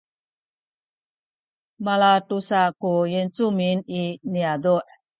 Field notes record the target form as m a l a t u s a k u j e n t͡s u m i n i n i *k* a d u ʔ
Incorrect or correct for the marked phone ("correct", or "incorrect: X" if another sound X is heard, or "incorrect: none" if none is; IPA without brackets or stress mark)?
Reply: incorrect: none